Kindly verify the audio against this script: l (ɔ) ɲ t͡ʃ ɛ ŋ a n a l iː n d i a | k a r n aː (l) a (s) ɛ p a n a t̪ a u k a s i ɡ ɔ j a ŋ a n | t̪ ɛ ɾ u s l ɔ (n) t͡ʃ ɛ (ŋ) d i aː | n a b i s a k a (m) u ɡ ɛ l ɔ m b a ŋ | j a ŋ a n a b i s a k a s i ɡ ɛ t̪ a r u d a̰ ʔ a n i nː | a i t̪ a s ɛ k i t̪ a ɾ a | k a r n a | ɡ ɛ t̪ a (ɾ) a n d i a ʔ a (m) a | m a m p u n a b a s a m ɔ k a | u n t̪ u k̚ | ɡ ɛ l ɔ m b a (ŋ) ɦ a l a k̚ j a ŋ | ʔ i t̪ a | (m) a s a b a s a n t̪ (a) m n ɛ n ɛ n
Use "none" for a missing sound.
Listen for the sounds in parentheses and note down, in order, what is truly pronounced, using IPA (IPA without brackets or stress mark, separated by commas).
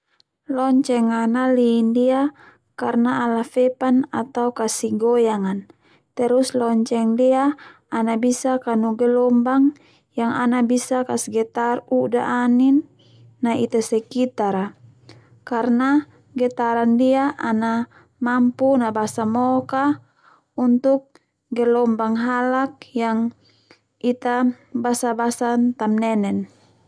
ɔ, l, f, ɲ, ŋ, n, ɾ, n, ŋ, b, a